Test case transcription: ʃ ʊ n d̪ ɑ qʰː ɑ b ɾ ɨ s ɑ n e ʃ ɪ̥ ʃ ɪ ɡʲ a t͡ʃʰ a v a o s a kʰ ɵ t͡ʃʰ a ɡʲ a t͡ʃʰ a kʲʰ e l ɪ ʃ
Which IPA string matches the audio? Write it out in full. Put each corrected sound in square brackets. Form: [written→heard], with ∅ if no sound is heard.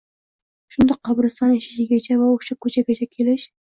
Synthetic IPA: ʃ ʊ n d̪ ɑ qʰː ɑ b ɾ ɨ s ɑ n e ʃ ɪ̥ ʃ ɪ ɡʲ a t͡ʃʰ a v a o [s→ʃ] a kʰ ɵ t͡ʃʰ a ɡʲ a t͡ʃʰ a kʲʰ e l ɪ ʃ